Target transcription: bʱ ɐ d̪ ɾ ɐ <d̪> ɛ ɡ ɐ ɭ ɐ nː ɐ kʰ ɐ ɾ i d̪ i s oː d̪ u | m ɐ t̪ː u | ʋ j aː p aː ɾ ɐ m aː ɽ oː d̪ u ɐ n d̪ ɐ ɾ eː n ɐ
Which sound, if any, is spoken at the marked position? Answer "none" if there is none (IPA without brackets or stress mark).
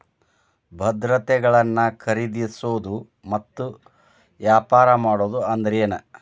t̪